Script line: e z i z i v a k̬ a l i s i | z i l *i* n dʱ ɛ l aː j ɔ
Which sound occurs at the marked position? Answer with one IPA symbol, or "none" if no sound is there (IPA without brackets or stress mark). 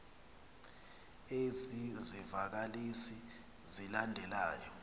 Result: a